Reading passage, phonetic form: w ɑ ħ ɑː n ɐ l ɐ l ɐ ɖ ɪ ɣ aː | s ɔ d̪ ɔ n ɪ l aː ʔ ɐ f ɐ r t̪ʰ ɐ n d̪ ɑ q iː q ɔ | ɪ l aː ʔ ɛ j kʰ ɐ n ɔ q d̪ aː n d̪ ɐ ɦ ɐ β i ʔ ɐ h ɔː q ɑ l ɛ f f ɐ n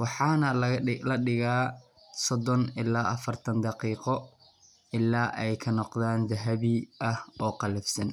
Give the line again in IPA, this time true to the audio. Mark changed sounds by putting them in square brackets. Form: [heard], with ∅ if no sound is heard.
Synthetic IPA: w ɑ ħ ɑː n ɐ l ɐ l ɐ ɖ ɪ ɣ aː | s ɔ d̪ ɔ n ɪ l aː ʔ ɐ f ɐ r t̪ʰ ɐ n d̪ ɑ q iː q ɔ | ɪ l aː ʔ ɛ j kʰ ɐ n ɔ q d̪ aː n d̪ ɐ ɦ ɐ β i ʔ ɐ h ɔː q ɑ l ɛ f [s] ɐ n